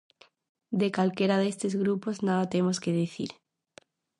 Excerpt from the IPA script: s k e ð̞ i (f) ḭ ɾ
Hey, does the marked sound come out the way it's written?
no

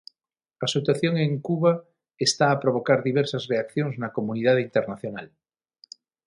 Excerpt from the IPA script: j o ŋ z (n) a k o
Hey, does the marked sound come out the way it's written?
yes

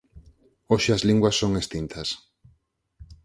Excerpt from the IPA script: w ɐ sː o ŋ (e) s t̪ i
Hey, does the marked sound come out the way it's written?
yes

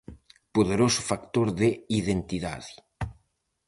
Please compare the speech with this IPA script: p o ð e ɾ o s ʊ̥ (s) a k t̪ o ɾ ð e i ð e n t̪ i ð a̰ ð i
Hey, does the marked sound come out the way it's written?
no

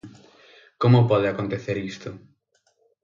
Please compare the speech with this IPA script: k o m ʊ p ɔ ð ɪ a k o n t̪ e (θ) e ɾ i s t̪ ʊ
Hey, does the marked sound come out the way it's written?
yes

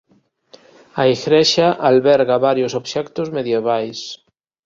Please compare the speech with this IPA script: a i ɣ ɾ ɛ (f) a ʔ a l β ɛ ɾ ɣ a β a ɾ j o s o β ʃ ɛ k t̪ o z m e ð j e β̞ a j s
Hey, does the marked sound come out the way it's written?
no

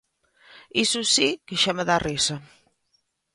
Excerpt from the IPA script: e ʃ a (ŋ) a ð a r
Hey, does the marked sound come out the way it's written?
no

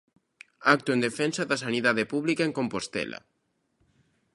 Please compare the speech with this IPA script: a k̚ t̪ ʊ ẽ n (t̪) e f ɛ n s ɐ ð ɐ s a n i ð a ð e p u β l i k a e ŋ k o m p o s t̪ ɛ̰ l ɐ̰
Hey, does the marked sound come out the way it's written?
no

